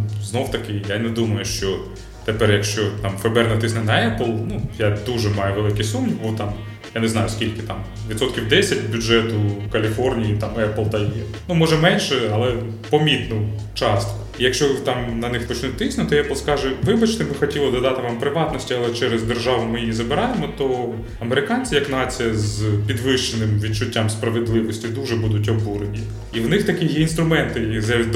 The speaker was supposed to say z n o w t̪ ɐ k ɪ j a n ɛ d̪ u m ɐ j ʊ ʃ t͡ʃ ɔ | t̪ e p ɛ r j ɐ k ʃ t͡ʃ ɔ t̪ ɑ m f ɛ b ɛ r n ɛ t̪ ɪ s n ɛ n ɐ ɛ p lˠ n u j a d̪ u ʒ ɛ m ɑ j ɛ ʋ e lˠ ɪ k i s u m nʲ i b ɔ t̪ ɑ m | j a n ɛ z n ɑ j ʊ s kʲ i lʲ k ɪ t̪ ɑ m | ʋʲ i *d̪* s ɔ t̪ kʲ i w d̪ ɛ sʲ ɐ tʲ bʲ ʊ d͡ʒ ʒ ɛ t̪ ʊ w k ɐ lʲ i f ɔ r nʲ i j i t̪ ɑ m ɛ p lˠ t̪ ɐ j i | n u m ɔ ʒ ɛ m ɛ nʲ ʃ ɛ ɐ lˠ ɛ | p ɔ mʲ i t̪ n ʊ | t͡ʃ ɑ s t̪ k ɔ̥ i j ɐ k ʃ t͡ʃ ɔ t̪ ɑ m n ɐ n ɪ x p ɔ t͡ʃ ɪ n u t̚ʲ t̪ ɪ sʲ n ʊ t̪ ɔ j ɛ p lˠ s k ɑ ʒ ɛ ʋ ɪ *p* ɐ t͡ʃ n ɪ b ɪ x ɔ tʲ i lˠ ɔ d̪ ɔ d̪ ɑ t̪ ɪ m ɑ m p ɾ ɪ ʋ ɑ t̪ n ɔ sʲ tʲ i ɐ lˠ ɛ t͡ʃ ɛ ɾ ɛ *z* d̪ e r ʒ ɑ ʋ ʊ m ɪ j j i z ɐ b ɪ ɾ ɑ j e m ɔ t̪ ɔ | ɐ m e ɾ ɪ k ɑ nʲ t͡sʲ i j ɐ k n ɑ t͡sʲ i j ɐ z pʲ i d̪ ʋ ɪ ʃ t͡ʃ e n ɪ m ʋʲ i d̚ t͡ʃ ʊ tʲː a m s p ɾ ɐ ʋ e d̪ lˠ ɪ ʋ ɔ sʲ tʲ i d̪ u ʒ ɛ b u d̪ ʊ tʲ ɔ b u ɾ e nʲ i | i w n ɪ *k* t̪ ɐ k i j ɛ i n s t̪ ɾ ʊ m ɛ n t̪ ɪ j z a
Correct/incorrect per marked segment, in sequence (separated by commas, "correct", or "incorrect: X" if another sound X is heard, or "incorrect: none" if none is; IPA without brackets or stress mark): incorrect: t̪, incorrect: b, correct, incorrect: x